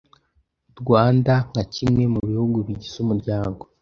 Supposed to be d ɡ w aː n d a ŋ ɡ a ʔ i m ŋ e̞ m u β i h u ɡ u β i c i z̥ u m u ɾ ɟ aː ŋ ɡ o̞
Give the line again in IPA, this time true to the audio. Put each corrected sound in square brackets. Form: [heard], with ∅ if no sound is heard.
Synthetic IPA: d ɡ w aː n d a ŋ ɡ a [c] i m ŋ e̞ m u β i h u ɡ u β i [ɟ] i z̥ u m u ɾ ɟ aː ŋ ɡ o̞